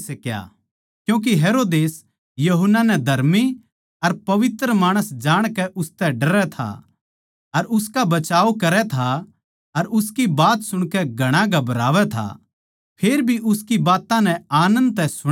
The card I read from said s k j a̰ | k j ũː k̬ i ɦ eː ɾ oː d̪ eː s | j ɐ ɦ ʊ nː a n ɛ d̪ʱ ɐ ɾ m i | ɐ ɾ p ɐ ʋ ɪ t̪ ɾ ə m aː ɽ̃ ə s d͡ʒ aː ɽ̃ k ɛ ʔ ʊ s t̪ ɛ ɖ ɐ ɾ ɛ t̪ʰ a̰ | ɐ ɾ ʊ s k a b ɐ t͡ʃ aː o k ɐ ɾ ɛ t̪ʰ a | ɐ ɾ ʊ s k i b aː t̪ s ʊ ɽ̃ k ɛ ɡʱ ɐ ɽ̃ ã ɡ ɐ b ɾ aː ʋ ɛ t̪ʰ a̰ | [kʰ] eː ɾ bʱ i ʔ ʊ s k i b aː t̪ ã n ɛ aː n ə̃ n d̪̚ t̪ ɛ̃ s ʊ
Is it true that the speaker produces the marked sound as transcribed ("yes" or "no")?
no